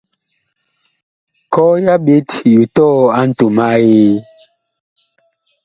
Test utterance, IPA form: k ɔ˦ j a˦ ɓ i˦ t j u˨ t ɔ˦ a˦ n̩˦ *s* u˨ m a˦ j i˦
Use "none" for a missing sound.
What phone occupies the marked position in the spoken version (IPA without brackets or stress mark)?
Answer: t